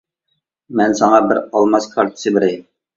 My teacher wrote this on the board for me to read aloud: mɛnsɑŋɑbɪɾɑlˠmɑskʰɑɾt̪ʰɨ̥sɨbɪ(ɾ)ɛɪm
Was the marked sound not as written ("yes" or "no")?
no